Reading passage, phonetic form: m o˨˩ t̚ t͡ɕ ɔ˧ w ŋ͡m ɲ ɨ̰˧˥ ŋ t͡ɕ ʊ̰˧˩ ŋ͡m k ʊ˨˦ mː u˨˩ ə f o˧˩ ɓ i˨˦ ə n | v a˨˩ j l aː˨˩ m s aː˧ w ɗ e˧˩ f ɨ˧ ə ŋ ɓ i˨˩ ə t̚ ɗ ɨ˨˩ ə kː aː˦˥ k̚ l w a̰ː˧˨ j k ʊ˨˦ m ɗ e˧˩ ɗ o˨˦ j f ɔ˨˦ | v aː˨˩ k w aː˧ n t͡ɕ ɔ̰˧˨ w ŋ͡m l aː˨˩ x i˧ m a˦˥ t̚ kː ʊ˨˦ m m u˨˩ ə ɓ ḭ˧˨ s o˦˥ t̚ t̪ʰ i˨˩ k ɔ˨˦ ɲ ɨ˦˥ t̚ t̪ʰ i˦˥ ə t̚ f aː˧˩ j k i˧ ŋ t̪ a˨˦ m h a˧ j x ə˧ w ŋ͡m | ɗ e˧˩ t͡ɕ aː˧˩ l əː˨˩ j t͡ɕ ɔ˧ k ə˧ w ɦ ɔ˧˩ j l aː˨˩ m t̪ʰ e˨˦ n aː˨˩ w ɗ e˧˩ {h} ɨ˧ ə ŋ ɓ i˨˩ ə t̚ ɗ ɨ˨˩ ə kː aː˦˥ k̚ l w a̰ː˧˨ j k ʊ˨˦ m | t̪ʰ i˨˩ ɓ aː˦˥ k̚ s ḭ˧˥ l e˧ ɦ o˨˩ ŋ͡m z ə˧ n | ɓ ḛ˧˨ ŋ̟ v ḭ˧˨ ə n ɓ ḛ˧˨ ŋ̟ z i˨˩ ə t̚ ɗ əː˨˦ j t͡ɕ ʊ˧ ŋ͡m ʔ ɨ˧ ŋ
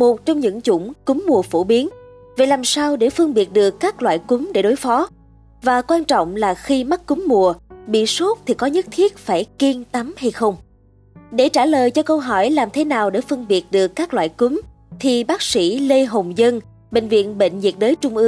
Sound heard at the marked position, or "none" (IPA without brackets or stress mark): f